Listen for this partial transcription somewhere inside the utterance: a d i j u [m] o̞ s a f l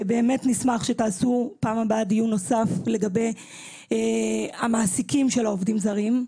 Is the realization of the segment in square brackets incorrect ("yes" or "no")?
yes